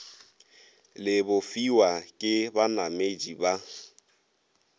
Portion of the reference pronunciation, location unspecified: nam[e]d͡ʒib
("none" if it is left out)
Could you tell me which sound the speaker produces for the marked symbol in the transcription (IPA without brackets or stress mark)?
e